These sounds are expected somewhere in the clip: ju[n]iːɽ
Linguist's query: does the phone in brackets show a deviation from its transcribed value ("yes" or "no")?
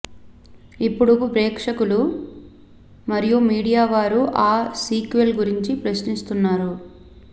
yes